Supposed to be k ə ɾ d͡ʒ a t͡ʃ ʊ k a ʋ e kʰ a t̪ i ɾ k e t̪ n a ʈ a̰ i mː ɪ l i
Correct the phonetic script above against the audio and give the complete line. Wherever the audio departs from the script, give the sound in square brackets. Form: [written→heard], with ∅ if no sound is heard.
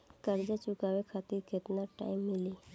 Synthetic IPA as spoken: k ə ɾ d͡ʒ a t͡ʃ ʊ k a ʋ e kʰ a t̪ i ɾ k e t̪ n a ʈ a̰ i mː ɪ l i